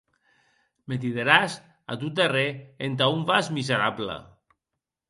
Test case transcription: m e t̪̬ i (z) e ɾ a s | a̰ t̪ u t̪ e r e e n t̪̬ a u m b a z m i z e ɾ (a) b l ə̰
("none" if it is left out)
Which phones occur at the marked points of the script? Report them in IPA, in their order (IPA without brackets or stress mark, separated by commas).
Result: ð, a